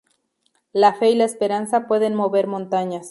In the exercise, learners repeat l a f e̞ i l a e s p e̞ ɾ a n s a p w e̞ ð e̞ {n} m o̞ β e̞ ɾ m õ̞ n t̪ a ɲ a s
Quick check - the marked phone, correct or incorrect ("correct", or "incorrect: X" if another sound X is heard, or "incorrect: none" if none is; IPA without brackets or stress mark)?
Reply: correct